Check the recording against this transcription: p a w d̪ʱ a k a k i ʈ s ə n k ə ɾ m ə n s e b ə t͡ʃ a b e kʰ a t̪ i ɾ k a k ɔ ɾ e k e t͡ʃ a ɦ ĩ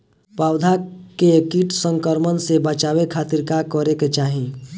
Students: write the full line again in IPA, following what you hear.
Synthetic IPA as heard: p a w d̪ʱ a k e k i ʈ s ə ŋ k ə ɾ m ə n s e b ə t͡ʃ a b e kʰ a t̪ i ɾ k a k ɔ ɾ e k e t͡ʃ a ɦ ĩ